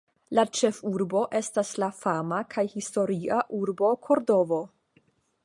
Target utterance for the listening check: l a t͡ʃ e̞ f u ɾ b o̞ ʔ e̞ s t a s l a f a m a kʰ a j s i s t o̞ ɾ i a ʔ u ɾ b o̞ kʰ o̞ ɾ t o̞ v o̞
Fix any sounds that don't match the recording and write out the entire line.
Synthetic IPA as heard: l a t͡ʃ e̞ f u ɾ b o̞ ʔ e̞ s t a s l a f a m a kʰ a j h i s t o̞ ɾ i a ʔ u ɾ b o̞ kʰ o̞ ɾ d o̞ v o̞